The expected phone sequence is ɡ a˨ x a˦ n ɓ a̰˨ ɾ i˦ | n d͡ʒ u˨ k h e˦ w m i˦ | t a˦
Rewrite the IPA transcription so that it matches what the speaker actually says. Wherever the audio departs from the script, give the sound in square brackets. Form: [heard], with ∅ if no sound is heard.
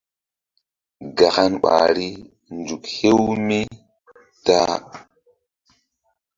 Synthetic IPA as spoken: ɡ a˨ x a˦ n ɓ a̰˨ ɾ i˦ | n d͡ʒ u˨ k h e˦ w m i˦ | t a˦